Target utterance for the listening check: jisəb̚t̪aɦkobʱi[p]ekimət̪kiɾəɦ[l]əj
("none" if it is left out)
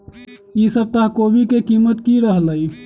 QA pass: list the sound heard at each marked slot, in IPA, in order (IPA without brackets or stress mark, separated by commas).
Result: k, l